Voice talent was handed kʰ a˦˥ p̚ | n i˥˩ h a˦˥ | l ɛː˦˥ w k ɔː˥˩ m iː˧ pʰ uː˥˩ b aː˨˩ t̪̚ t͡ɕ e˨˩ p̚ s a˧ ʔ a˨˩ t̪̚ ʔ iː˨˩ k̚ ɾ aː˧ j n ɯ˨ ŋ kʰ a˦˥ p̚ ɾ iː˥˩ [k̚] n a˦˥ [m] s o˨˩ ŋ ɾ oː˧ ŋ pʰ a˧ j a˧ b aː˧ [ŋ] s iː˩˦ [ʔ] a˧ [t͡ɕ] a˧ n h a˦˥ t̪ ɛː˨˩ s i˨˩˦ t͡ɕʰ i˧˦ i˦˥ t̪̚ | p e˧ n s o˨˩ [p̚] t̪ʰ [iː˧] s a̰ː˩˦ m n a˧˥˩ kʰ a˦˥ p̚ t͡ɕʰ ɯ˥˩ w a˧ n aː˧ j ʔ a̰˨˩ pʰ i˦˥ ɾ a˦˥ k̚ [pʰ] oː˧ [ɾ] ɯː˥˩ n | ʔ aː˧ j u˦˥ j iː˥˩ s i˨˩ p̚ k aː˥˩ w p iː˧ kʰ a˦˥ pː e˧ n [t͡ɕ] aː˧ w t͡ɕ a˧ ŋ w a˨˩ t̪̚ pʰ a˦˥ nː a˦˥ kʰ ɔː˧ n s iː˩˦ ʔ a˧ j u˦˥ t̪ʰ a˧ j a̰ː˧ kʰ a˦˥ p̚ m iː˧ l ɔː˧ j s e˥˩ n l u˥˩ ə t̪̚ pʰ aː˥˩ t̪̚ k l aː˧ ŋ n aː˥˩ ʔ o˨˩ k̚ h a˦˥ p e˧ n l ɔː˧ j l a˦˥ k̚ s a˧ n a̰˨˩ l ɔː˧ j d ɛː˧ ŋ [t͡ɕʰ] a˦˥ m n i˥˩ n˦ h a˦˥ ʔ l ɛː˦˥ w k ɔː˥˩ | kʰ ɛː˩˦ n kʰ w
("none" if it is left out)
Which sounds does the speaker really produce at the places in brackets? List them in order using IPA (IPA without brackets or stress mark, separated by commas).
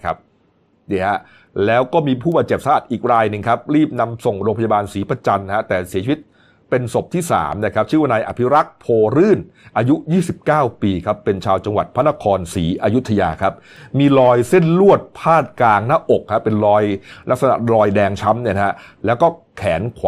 p̚, m, n, p, t͡ɕ, p̚, iː˥˩, pʰ, ɾ, t͡ɕʰ, t͡ɕʰ